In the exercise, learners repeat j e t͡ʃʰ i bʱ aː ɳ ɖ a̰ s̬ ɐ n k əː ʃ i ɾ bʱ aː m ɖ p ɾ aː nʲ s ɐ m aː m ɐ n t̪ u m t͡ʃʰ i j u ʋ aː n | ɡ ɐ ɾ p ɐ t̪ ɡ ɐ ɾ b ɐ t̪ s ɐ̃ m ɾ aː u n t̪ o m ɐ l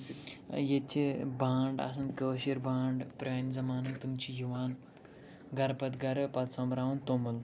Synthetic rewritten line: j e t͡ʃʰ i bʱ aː ɳ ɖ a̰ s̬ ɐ n k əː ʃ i ɾ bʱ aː ɳ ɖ p ɾ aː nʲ z ɐ m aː n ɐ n t̪ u m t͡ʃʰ i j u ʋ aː n | ɡ ɐ ɾ p ɐ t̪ ɡ ɐ ɾ p ɐ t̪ s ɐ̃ m ɾ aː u n t̪ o m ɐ l